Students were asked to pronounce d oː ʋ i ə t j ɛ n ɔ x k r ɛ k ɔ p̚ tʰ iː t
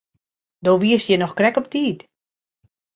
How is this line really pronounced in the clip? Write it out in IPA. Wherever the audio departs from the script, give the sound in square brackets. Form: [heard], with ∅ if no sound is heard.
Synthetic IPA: d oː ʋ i ə [s] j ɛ n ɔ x k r ɛ k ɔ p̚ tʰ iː t